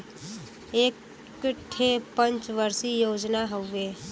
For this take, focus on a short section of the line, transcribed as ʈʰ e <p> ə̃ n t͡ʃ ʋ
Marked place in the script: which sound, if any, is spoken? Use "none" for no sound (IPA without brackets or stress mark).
p